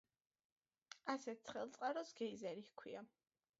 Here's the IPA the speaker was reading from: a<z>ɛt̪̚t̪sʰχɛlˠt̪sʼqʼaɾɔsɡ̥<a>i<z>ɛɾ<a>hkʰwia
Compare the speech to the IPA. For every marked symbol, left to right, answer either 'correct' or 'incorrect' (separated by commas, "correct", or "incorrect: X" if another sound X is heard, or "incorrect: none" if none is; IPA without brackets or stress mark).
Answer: incorrect: s, incorrect: ɛ, correct, incorrect: i